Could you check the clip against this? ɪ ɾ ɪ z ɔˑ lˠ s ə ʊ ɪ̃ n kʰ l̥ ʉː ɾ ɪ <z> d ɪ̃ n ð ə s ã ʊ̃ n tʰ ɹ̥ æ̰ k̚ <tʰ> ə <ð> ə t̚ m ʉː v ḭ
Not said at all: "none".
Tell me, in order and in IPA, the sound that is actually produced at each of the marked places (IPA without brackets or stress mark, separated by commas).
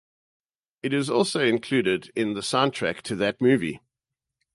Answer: none, tʰ, ð